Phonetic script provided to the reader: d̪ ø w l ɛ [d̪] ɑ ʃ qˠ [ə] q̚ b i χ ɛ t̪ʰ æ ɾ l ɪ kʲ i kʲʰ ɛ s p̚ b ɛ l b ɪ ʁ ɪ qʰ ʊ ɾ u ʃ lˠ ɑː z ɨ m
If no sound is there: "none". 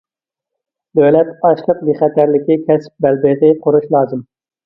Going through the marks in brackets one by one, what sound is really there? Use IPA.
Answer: t̪, ə

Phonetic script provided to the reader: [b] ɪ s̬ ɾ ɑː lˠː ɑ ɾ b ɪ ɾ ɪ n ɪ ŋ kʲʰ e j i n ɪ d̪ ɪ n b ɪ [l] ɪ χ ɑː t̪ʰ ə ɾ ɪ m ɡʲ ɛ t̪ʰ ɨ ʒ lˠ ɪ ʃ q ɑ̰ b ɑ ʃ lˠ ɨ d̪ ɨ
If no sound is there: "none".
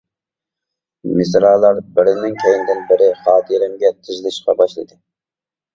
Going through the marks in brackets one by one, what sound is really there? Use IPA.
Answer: m, ɾ

